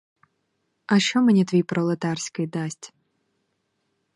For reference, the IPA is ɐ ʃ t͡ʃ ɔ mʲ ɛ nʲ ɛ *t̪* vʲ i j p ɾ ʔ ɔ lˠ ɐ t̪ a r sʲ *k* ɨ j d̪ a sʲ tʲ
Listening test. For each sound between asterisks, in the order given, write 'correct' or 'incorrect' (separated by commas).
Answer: correct, correct